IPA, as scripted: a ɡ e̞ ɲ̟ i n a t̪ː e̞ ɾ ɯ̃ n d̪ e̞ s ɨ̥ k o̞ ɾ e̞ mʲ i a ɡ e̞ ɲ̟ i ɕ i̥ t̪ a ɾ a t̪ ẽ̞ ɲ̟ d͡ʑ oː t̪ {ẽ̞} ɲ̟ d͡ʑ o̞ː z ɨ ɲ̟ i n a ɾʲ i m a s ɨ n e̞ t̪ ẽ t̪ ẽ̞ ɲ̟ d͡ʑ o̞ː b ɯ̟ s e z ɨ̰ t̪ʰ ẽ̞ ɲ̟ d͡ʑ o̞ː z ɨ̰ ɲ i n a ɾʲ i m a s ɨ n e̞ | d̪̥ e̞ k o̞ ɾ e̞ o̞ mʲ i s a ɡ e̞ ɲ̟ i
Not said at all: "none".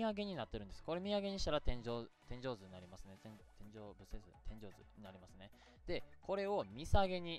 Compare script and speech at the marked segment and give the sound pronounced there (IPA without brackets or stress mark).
ẽ̞